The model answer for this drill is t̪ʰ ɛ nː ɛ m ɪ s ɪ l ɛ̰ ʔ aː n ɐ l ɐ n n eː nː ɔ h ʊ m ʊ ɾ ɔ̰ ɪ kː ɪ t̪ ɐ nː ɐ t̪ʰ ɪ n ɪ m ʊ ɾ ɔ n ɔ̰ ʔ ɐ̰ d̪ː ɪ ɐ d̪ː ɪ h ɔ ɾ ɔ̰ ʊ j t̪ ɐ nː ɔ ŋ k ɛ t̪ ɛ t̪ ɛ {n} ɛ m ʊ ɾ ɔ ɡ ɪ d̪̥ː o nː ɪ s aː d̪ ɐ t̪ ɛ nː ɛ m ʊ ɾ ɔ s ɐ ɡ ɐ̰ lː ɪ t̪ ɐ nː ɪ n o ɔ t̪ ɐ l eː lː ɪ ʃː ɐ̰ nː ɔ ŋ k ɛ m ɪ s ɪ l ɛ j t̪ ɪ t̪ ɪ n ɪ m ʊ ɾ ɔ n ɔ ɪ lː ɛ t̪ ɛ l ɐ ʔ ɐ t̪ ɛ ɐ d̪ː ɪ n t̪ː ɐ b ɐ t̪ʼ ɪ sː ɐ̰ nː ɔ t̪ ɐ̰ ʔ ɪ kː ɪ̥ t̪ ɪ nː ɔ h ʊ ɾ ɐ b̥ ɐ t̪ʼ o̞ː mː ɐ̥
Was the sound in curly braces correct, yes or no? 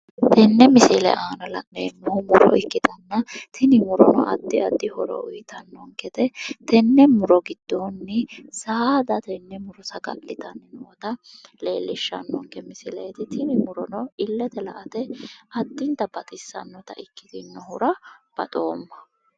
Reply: no